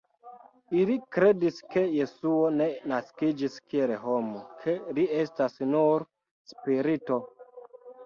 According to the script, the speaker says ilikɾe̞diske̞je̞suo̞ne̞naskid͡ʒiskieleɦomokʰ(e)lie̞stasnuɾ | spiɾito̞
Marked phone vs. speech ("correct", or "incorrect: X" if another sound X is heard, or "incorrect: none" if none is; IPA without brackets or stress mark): correct